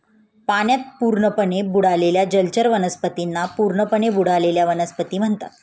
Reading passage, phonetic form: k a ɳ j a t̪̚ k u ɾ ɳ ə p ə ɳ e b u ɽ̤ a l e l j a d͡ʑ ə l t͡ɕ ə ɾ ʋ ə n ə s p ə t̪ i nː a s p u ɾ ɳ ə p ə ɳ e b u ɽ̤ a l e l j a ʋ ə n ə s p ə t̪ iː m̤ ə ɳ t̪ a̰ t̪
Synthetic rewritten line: p a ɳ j a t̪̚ p u ɾ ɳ ə p ə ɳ e b u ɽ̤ a l e l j a d͡ʑ ə l t͡ɕ ə ɾ ʋ ə n ə s p ə t̪ i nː a p u ɾ ɳ ə p ə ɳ e b u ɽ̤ a l e l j a ʋ ə n ə s p ə t̪ iː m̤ ə ɳ t̪ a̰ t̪

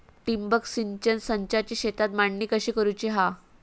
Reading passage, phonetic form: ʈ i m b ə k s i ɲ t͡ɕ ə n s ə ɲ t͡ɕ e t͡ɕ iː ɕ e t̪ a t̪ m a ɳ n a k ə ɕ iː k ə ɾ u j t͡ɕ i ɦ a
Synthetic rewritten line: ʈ i m b ə k s i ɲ t͡ɕ ə n s ə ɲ t͡ɕ a t͡ɕ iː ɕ e t̪ a t̪ m a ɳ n i k ə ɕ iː k ə ɾ u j t͡ɕ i ɦ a

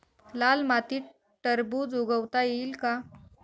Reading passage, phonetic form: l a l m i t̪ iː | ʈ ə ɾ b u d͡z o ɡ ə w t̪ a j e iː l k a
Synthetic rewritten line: l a l m a t̪ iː | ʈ ə ɾ b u d͡z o ɡ ə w t̪ a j e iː l k a

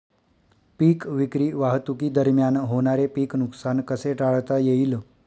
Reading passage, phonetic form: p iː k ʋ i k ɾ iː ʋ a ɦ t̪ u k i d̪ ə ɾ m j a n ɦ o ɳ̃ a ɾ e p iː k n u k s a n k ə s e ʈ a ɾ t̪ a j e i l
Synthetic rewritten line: p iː k ʋ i k ɾ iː ʋ a ɦ t̪ u k i d̪ ə ɾ m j a n ɦ o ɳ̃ a ɾ e p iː k n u k s a n k ə s e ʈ a ɭ t̪ a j e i l

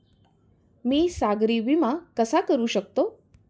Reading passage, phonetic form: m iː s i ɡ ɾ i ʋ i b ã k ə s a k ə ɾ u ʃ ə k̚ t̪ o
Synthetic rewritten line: m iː s a ɡ ɾ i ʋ i m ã k ə s a k ə ɾ u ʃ ə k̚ t̪ o

